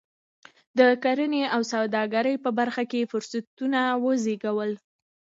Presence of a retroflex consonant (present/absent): absent